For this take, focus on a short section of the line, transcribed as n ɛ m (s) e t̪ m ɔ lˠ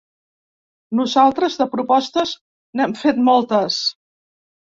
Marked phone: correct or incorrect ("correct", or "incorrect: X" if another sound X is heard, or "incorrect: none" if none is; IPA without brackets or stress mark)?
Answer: incorrect: f